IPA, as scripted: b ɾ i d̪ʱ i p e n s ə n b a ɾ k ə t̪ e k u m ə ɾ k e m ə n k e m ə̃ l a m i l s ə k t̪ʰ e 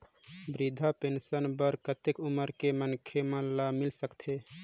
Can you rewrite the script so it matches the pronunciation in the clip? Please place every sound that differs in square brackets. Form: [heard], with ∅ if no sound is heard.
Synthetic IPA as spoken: b ɾ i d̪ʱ [a] p e n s ə n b [ə] ɾ k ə t̪ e k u m ə ɾ k e m ə n [kʰ] e m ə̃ l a m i l s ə k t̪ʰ e